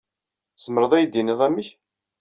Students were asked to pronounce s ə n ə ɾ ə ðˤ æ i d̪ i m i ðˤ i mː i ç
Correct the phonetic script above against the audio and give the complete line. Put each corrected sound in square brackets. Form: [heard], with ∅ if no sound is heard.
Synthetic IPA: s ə [m] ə ɾ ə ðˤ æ [j] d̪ i [n] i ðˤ [æ] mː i ç